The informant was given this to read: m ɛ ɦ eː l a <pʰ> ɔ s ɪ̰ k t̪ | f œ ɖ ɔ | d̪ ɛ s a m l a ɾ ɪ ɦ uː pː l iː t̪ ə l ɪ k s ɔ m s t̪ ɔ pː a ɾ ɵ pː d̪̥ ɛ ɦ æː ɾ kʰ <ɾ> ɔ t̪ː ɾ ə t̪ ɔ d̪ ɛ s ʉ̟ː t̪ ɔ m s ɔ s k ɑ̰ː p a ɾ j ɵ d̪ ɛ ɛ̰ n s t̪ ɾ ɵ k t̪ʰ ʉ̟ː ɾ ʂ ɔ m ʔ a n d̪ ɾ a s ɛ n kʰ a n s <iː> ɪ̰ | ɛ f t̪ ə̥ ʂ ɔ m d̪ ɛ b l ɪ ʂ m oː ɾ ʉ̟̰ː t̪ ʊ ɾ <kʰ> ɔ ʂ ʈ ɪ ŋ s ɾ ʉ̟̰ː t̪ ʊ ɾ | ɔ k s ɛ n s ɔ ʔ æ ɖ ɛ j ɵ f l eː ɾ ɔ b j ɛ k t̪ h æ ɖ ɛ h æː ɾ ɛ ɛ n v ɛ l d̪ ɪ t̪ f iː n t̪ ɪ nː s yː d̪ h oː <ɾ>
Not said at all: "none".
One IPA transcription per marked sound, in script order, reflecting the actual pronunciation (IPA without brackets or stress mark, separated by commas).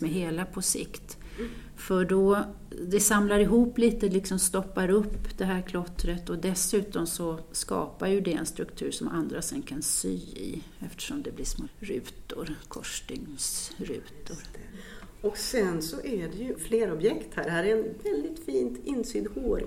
pʰ, l, yː, kʰ, ɾ